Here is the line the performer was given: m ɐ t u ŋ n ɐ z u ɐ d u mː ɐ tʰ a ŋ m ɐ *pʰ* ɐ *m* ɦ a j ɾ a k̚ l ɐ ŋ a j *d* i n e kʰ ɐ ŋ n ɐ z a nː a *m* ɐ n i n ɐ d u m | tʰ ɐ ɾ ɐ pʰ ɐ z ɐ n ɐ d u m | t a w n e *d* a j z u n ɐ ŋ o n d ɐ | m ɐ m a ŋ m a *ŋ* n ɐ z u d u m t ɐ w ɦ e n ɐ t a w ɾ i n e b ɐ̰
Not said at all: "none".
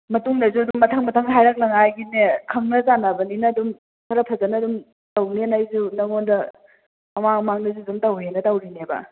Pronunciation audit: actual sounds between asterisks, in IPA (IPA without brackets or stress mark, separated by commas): tʰ, ŋ, ɡ, b, n, ŋ